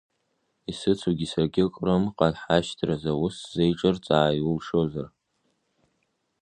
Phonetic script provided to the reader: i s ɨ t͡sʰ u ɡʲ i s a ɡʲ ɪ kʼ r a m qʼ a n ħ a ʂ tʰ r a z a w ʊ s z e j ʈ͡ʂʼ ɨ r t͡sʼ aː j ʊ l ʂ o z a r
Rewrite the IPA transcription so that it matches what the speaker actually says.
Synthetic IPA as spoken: i s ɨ t͡sʰ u ɡʲ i s a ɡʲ ɪ kʼ r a m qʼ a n ħ a ʃ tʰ r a z a w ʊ s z e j ʈ͡ʂʼ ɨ r t͡sʼ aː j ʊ l ʂ o z a r